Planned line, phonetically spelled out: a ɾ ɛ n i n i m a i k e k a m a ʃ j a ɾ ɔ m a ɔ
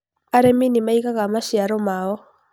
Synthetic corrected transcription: a ɾ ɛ m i n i m a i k a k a m a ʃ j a ɾ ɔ m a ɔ